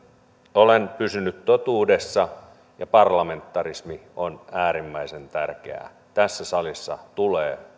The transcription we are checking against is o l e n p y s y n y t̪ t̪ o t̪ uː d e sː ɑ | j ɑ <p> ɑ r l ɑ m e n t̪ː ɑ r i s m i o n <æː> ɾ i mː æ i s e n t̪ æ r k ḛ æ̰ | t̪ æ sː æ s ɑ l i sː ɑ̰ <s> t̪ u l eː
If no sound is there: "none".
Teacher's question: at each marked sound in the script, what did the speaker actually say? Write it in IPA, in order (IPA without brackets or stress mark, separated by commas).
p, æː, none